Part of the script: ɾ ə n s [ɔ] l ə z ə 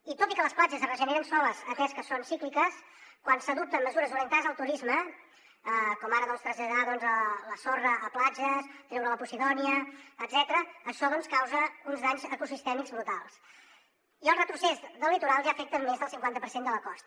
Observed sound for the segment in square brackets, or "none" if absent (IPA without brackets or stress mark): ɔ